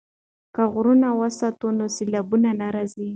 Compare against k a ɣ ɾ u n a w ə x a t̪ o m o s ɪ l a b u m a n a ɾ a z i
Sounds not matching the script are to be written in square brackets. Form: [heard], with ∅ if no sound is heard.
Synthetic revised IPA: k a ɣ ɾ u n a w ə [s] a t̪ o [n] o s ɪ l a b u [n] a n a ɾ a z i